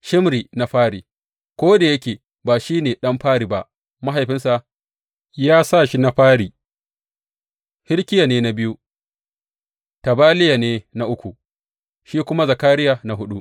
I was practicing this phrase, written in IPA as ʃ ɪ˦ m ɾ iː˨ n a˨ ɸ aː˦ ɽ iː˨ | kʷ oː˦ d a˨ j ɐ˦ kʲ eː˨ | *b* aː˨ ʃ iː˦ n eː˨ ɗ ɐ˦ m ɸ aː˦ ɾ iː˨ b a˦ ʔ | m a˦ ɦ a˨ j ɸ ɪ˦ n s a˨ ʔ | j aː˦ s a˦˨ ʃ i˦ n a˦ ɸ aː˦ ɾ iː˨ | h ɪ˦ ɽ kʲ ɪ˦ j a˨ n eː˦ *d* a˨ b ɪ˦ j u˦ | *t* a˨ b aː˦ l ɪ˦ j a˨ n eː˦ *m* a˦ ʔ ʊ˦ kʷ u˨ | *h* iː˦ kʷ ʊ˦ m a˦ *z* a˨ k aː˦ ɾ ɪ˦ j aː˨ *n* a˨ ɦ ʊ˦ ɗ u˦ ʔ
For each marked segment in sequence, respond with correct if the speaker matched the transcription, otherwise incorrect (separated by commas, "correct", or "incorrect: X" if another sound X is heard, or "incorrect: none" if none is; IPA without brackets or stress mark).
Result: correct, incorrect: n, correct, incorrect: n, incorrect: ʃ, correct, correct